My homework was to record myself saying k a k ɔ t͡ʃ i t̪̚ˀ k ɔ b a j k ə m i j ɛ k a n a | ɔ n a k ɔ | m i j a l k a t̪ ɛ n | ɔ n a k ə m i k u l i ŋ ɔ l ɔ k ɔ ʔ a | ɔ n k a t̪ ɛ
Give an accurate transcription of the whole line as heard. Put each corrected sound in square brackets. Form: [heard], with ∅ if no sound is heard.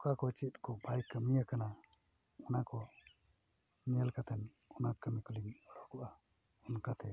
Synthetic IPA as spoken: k a k ɔ t͡ʃ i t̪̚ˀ k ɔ b a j k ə m i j [a] k a n a | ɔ n a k ɔ | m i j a l k a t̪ ɛ n | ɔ n a k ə m i k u l i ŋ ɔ [ɽ] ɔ k ɔ ʔ a | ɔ n k a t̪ ɛ

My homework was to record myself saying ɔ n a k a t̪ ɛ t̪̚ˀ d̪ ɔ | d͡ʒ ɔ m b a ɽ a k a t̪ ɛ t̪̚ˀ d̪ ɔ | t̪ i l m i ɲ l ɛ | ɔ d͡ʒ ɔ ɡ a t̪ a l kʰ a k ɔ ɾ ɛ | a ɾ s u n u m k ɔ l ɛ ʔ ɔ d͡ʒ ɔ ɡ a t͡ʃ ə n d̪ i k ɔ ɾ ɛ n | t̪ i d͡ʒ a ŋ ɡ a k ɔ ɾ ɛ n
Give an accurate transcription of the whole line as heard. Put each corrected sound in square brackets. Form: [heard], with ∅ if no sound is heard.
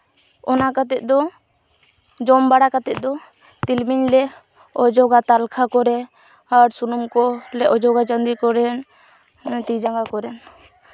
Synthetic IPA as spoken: ɔ n a k a t̪ ɛ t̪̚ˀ d̪ ɔ | d͡ʒ ɔ m b a ɽ a k a t̪ ɛ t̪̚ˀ d̪ ɔ | t̪ i l m i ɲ l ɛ | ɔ d͡ʒ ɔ ɡ a t̪ a l kʰ a k ɔ ɾ ɛ | a ɾ s u n u m k ɔ l ɛ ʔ ɔ d͡ʒ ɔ ɡ a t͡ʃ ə n d̪ i k ɔ ɾ ɛ n | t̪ i d͡ʒ a ŋ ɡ a k ɔ ɾ ɛ n

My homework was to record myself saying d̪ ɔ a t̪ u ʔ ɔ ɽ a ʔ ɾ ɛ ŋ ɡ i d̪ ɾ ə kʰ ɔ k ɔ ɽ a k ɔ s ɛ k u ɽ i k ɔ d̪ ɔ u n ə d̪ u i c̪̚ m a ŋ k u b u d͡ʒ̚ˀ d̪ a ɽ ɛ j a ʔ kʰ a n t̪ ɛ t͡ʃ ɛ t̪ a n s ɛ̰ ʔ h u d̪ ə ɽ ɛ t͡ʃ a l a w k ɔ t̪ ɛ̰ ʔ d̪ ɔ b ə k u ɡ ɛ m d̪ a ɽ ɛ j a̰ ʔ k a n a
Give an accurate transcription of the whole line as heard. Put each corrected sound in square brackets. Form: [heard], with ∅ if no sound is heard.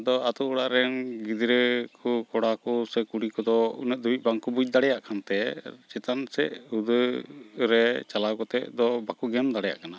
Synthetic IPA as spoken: d̪ ɔ a t̪ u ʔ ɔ ɽ a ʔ ɾ ɛ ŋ ɡ i d̪ ɾ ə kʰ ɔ k ɔ ɽ a k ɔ s ɛ k u ɽ i k ɔ d̪ ɔ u n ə d̪ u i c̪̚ [b] a ŋ k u b u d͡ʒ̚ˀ d̪ a ɽ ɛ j a ʔ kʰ a n t̪ ɛ t͡ʃ ɛ t̪ a n s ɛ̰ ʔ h u d̪ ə [ɾ] ɛ t͡ʃ a l a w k ɔ t̪ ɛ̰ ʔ d̪ ɔ b [a] k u ɡ ɛ m d̪ a ɽ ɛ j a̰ ʔ k a n a

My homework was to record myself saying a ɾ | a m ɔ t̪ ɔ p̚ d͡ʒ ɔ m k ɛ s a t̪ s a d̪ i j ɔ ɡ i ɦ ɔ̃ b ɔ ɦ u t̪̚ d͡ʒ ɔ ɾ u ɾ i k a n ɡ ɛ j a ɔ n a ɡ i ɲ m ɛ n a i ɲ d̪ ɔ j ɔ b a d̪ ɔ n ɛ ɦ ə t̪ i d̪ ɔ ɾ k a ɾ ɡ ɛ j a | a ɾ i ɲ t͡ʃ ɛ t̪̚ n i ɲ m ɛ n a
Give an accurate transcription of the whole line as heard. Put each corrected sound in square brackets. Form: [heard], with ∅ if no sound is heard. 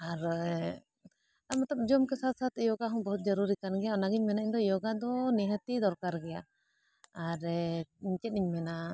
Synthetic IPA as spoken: a ɾ | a m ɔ t̪ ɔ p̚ d͡ʒ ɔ m k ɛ s a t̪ s a [t̪] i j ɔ ɡ [a] ɦ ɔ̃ b ɔ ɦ u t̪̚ d͡ʒ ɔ ɾ u ɾ i k a n ɡ ɛ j a ɔ n a ɡ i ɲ m ɛ n a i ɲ d̪ ɔ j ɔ [ɡ] a d̪ ɔ n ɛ ɦ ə t̪ i d̪ ɔ ɾ k a ɾ ɡ ɛ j a | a ɾ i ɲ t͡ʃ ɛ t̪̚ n i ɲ m ɛ n a

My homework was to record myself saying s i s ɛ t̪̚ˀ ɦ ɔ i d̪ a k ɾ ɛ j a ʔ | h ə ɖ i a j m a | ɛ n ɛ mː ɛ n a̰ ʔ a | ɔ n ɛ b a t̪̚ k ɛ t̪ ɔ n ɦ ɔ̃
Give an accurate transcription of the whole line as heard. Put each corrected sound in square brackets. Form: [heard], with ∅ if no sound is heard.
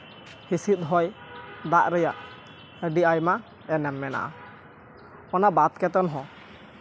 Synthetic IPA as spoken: [h] i s [i] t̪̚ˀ ɦ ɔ [j] d̪ a [ʔ] ɾ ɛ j a ʔ | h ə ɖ i a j m a | ɛ n ɛ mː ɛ n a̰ ʔ a | ɔ n [a] b a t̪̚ k ɛ t̪ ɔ n ɦ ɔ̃

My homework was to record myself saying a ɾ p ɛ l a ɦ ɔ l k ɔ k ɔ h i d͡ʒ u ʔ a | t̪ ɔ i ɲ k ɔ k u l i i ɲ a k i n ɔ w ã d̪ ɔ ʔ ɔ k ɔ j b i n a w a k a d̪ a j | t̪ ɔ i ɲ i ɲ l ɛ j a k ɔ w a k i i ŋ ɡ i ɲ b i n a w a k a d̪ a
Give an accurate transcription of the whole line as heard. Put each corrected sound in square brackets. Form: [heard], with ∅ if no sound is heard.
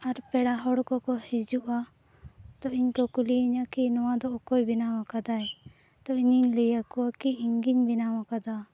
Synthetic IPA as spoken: a ɾ p ɛ [ɽ] a ɦ ɔ [ɽ] k ɔ k ɔ h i d͡ʒ u ʔ a | t̪ ɔ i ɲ k ɔ k u l i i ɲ a k i n ɔ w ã d̪ ɔ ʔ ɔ k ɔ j b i n a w a k a d̪ a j | t̪ ɔ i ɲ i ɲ l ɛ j a k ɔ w a k i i ŋ ɡ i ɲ b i n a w a k a d̪ a

